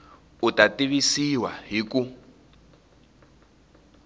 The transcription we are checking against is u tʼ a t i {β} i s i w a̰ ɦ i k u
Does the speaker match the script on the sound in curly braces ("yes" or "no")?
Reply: yes